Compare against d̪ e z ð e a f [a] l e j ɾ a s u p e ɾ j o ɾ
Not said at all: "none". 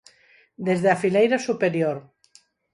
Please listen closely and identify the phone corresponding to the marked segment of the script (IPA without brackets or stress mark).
i